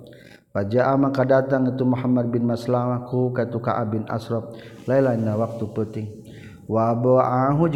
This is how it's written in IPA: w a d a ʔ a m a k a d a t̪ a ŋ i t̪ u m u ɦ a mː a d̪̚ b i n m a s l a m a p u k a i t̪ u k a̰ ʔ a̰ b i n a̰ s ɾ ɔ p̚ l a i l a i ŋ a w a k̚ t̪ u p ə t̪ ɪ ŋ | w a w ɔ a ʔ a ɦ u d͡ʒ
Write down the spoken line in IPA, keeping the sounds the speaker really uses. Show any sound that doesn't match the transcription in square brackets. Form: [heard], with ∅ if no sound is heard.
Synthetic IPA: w a [d͡ʒ] a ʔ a m a k a d a t̪ a ŋ i t̪ u m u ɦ a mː a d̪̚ b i n m a s l a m a [k] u k a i t̪ u k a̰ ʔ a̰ b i n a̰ s ɾ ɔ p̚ l a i l a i [n] a w a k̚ t̪ u p ə t̪ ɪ ŋ | w a [b] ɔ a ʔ a ɦ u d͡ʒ